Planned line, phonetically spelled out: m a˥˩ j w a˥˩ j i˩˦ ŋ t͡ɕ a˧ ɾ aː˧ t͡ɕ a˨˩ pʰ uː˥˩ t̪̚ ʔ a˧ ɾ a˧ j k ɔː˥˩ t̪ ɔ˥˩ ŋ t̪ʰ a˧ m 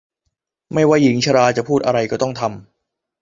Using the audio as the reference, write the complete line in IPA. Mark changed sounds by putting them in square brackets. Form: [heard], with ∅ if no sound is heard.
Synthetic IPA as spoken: m a˥˩ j w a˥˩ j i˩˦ ŋ [t͡ɕʰ] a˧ ɾ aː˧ t͡ɕ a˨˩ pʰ uː˥˩ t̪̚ ʔ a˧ ɾ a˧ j k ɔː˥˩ t̪ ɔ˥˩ ŋ t̪ʰ a˧ m